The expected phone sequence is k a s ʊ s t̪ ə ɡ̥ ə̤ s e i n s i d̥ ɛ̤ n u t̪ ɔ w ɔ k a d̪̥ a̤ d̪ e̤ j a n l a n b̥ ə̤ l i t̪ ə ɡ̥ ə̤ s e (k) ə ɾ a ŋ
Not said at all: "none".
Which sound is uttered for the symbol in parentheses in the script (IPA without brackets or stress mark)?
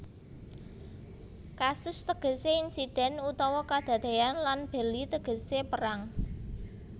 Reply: p